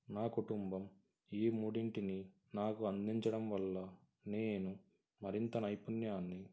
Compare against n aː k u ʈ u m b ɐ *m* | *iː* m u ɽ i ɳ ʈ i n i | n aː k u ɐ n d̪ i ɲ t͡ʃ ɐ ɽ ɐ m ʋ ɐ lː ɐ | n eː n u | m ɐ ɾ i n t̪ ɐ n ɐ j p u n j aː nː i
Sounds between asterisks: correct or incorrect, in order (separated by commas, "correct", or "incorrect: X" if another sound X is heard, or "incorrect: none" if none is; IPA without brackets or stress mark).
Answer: correct, correct